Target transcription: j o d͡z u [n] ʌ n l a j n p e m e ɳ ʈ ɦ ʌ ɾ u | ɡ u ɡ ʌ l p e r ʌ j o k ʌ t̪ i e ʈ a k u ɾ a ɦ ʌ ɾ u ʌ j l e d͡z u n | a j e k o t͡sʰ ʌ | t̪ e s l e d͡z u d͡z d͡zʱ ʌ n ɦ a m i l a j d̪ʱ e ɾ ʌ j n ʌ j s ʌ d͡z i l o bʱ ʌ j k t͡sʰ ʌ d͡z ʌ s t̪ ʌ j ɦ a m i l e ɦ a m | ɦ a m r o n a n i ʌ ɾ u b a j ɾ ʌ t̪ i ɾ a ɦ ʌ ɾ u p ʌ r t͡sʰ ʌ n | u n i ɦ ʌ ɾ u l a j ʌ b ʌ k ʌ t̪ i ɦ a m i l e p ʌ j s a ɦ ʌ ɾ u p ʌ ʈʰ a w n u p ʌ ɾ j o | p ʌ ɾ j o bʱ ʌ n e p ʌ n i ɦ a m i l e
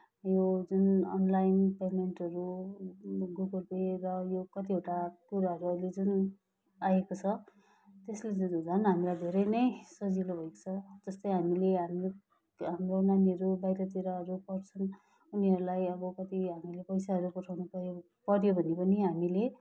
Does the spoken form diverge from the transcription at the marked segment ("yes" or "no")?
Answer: no